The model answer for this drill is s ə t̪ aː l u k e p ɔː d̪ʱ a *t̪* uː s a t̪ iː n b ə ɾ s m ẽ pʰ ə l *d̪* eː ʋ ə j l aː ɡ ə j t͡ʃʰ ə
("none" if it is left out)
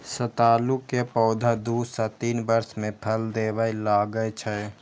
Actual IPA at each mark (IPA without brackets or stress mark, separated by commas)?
d̪, d̪